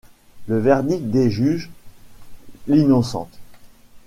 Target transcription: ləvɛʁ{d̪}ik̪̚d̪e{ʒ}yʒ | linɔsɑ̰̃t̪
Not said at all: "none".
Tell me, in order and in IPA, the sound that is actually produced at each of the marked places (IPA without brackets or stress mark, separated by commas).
d̪, ʒ